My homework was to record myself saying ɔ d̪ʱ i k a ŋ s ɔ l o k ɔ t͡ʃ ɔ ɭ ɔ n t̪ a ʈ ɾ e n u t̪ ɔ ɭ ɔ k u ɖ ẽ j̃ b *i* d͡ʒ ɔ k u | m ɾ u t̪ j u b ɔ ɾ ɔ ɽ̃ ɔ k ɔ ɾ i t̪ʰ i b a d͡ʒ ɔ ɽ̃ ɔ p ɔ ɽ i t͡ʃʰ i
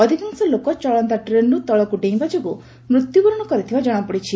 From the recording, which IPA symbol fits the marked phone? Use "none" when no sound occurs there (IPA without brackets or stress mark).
a